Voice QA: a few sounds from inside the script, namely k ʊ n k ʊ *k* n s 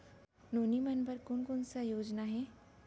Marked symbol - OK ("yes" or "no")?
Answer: no